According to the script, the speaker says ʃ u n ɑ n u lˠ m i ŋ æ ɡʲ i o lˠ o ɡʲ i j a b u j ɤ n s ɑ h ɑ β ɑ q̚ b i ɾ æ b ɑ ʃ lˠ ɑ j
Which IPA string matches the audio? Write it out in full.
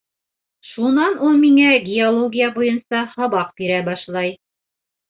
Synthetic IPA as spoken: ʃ u n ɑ n u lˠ m i ŋ æ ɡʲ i o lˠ o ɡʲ i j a b u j ɤ n s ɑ h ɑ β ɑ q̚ b i ɾ æ b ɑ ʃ lˠ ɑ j